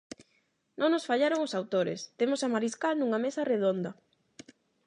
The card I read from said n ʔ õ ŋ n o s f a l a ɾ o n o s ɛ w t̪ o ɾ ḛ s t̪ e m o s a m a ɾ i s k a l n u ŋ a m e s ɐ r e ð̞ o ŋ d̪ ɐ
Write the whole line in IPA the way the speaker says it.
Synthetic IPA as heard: n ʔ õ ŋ n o s f a ʎ a ɾ o ŋ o s a w t̪ o ɾ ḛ s t̪ e m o s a m a ɾ i s k a l n u ŋ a m e s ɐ r e ð̞ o n d̪ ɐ